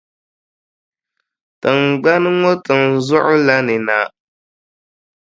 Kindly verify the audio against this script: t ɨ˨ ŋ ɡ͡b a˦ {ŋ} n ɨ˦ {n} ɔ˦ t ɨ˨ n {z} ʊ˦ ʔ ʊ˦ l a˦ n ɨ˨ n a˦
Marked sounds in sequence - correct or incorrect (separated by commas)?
incorrect, incorrect, correct